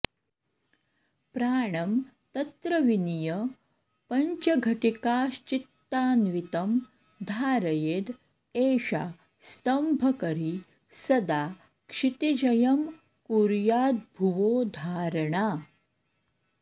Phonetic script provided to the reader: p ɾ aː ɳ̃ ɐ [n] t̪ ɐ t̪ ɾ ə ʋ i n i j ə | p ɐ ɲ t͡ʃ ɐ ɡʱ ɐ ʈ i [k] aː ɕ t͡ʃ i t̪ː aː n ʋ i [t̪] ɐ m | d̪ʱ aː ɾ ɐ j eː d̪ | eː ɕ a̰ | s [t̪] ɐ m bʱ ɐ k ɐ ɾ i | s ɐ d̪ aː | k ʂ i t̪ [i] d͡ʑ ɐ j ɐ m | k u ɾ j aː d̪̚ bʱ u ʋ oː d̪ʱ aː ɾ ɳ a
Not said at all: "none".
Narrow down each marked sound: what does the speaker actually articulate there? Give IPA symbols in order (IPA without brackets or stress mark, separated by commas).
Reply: m, k, t̪, t̪, i